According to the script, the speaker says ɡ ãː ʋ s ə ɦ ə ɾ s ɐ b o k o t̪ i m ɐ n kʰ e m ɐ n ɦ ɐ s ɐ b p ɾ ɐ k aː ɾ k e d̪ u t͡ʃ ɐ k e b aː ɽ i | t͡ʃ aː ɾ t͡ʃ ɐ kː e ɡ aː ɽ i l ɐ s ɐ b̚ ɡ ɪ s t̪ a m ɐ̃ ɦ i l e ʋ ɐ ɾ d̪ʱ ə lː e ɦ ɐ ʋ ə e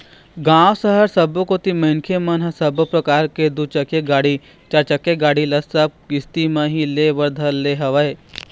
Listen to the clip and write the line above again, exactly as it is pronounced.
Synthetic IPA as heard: ɡ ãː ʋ s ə ɦ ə ɾ s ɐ b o k o t̪ i m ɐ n kʰ e m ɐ n ɦ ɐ s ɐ b p ɾ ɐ k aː ɾ k e d̪ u t͡ʃ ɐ k e ɡ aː ɽ i | t͡ʃ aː ɾ t͡ʃ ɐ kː e ɡ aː ɽ i l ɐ s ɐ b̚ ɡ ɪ s t̪ i m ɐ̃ ɦ i l e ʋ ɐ ɾ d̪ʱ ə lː e ɦ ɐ ʋ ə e